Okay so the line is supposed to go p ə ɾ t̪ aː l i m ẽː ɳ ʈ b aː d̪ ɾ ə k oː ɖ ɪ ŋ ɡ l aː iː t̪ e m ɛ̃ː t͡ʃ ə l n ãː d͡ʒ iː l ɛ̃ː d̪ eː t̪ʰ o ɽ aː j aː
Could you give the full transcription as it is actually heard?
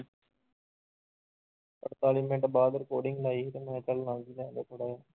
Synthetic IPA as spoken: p ə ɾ t̪ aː l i m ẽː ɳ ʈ b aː d̪ ɾ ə k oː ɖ ɪ ŋ ɡ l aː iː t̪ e m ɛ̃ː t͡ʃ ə l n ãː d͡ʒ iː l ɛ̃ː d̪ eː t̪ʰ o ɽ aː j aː